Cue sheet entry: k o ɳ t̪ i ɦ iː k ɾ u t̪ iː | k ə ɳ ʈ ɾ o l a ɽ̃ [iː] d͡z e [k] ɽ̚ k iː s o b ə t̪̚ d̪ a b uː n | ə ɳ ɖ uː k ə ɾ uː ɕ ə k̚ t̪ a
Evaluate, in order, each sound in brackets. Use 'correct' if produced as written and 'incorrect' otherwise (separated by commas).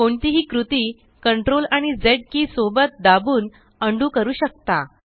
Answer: incorrect, incorrect